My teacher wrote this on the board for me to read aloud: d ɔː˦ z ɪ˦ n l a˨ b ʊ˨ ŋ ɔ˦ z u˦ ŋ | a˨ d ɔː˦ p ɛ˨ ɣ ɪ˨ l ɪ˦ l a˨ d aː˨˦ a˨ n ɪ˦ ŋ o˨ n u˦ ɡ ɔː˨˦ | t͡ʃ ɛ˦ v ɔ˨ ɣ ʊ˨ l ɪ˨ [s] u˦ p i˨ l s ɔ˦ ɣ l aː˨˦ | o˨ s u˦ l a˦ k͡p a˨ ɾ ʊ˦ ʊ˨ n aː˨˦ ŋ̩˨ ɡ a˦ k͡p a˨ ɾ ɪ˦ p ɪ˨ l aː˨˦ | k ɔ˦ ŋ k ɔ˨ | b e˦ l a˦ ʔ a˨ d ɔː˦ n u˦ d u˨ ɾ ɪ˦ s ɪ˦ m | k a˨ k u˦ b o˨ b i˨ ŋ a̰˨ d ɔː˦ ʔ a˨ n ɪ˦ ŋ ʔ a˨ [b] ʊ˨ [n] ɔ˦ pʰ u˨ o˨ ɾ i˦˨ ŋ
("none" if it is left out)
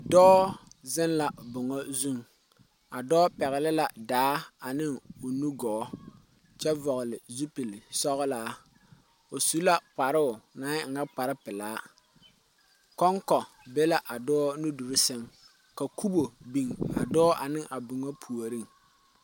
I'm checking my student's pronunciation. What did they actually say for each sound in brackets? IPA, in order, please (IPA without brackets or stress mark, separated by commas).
z, b, ŋ